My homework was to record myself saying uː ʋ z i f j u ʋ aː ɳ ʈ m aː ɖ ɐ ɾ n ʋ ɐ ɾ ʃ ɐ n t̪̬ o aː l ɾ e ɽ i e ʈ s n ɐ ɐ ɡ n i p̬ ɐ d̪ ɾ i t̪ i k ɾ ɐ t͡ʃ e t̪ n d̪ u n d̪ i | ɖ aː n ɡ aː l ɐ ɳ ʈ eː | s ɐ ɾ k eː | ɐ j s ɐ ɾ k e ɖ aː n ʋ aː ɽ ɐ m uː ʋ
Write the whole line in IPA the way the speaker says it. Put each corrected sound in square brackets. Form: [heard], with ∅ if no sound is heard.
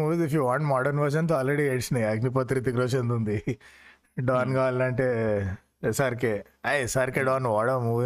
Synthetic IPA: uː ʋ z i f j u ʋ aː ɳ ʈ m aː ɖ ɐ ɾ n ʋ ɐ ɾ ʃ ɐ n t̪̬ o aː l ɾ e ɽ i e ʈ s n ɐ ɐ ɡ n i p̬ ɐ [t̪] ɾ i t̪ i k ɾ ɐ t͡ʃ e [∅] n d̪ u n d̪ i | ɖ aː n ɡ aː l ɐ ɳ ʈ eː | s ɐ ɾ k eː | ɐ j s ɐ ɾ k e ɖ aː n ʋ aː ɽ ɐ m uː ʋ